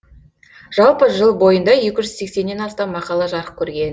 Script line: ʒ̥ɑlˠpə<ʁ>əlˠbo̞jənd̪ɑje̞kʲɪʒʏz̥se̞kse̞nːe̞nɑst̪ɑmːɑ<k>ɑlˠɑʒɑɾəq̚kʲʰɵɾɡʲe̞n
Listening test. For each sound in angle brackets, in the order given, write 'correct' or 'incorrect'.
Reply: incorrect, incorrect

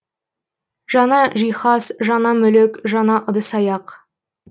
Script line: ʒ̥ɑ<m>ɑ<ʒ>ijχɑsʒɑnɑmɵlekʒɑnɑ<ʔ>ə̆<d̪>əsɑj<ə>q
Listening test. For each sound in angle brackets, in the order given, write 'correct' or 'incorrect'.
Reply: incorrect, correct, correct, correct, incorrect

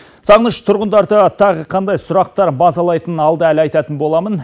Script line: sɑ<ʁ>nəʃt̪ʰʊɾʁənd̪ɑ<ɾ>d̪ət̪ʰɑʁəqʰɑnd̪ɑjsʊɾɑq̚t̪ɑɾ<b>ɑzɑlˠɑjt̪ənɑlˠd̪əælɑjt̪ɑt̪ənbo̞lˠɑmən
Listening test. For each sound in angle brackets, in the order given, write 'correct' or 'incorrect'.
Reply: correct, correct, correct

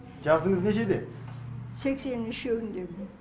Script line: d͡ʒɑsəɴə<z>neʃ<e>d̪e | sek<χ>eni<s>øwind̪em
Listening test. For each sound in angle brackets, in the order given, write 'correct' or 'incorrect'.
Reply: correct, correct, incorrect, incorrect

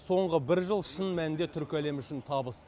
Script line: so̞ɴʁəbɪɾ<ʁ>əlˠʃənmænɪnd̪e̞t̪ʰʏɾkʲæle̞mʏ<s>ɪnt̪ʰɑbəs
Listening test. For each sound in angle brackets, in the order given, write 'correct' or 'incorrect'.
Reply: incorrect, incorrect

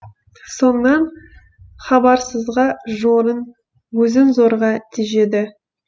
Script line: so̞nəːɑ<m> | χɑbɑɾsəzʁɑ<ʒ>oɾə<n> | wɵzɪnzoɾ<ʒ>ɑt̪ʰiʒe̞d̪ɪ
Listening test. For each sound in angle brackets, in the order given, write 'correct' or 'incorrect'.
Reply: incorrect, correct, correct, incorrect

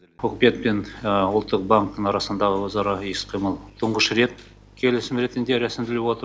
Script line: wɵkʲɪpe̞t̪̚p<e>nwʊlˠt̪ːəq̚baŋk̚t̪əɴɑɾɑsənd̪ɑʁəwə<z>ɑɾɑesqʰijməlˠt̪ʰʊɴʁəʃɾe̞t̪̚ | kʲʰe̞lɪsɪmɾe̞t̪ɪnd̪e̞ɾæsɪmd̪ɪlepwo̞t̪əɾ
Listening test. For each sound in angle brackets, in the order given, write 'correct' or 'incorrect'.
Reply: correct, correct

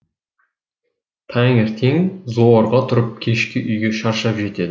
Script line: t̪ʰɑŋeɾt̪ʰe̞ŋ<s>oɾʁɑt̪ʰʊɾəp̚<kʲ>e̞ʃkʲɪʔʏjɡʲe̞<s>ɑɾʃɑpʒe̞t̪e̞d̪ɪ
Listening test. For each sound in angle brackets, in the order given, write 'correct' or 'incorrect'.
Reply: incorrect, incorrect, incorrect

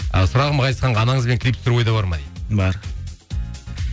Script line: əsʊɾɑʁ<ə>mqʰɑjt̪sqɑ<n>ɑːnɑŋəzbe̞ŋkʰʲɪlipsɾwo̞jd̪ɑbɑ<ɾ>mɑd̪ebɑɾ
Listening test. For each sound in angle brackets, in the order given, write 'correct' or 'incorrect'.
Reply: correct, incorrect, correct

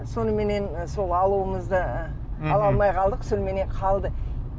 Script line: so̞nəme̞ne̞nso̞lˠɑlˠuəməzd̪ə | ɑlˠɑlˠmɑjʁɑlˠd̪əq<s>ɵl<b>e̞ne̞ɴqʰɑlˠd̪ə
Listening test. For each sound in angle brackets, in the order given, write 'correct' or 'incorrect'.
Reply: correct, incorrect

